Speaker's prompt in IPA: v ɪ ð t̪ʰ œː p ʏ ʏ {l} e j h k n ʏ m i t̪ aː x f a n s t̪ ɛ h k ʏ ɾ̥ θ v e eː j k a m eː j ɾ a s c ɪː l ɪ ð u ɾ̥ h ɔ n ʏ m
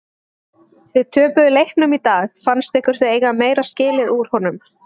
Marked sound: correct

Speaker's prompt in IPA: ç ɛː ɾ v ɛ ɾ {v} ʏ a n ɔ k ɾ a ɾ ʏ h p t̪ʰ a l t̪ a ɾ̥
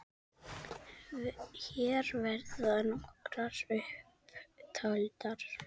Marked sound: incorrect: ð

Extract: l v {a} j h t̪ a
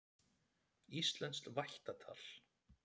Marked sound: correct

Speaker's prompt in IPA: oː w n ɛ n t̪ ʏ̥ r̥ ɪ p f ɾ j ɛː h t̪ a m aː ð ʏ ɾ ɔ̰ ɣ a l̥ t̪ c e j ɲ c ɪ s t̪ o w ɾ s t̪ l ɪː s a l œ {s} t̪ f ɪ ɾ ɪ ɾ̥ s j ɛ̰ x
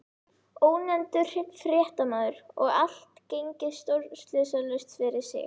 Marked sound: correct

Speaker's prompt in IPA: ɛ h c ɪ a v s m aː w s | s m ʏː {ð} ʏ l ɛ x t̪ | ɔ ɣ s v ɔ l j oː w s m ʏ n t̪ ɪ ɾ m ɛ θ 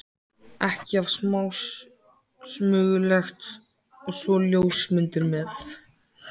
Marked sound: incorrect: ɣ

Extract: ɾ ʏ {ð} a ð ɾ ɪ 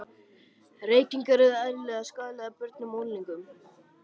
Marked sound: correct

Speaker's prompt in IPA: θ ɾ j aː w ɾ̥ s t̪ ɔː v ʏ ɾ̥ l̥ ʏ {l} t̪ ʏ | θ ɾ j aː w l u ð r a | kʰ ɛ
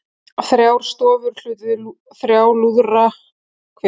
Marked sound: incorrect: none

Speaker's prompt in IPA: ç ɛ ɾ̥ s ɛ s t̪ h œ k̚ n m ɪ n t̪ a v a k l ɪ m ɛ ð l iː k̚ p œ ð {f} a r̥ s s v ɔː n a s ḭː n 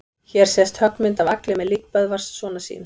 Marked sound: incorrect: v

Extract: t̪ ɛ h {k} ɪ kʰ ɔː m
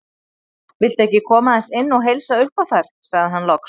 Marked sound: incorrect: c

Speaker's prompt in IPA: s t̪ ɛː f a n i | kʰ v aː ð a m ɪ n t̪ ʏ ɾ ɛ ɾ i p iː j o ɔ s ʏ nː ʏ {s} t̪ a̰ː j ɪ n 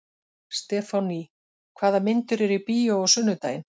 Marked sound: incorrect: none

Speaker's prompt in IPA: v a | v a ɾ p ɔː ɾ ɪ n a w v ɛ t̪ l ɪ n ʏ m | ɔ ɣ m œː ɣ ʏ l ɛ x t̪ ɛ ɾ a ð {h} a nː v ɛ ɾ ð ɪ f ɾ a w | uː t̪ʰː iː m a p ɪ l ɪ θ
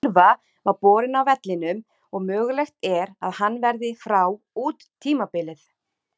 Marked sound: correct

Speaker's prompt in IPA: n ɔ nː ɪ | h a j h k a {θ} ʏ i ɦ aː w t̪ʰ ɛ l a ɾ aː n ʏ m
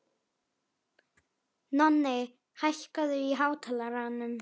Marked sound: incorrect: ð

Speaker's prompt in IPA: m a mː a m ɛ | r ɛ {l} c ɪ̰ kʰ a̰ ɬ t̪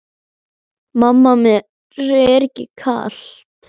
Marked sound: incorrect: ɾ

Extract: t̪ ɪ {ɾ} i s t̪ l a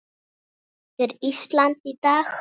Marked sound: correct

